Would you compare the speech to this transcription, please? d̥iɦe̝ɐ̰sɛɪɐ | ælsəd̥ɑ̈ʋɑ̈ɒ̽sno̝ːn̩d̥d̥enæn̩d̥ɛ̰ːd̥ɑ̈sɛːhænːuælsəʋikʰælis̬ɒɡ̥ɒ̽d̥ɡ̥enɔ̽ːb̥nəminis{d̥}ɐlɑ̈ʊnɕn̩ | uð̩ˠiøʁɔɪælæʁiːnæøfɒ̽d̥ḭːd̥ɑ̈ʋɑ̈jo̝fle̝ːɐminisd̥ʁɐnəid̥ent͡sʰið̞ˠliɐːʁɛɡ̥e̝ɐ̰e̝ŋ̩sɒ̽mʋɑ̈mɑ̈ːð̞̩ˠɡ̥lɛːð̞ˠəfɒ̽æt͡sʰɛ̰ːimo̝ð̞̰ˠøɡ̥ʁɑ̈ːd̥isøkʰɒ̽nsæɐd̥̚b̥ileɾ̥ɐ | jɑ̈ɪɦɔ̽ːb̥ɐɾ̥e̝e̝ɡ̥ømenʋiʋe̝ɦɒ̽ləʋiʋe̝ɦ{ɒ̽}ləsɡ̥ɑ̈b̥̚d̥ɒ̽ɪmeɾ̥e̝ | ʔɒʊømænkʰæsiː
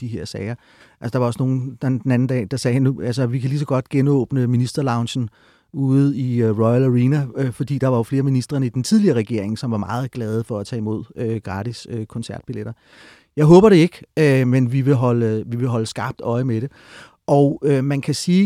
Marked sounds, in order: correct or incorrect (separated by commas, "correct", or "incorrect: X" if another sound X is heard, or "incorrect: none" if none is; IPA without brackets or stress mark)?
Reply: correct, correct